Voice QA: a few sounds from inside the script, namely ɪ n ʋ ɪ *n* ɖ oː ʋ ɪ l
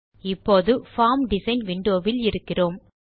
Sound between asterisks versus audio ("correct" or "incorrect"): incorrect